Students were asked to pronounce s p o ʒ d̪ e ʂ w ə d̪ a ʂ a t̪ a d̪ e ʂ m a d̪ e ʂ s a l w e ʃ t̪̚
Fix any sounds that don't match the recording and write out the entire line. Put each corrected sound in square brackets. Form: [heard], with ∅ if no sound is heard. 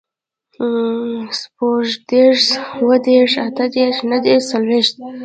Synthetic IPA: s p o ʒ d̪ e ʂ w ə d̪ [e] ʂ a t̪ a d̪ e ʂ [n] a d̪ e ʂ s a l w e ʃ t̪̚